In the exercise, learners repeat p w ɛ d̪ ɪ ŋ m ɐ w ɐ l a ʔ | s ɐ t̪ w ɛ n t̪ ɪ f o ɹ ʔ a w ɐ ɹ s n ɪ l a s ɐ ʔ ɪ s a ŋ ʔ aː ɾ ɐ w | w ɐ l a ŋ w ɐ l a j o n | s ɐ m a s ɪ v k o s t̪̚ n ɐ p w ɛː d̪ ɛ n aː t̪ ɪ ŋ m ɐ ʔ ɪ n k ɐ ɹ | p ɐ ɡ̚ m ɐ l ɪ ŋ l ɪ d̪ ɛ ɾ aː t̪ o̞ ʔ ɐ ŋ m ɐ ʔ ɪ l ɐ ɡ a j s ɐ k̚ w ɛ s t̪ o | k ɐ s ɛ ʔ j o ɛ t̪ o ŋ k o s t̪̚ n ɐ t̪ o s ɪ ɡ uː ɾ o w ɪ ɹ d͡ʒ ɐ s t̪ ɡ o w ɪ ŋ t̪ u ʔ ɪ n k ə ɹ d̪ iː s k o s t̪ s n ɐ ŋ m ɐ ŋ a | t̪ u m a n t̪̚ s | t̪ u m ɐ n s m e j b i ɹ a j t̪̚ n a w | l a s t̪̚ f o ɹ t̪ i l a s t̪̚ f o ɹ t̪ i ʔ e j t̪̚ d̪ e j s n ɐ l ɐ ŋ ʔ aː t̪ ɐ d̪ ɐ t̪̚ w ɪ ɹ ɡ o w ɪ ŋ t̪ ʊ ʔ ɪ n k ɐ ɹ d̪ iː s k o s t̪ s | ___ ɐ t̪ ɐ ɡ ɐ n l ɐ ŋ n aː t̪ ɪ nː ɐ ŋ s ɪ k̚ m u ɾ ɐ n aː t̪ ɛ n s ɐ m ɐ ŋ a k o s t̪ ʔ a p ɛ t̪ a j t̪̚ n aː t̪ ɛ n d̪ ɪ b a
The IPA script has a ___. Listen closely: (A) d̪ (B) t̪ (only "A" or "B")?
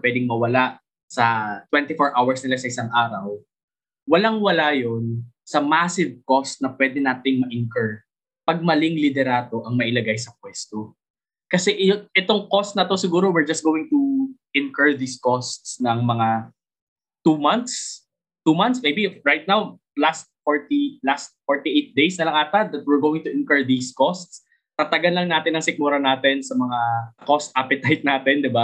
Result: B